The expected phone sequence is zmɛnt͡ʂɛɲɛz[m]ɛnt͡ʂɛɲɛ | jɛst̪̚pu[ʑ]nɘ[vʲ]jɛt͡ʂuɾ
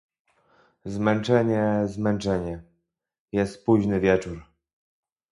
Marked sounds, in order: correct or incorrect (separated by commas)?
correct, correct, correct